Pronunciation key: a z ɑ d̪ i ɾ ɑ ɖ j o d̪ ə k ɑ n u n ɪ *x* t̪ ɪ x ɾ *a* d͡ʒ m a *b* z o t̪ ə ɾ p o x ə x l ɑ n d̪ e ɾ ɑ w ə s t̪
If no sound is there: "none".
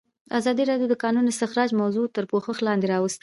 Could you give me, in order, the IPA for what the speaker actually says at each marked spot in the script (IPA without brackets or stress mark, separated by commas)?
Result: s, ɑ, w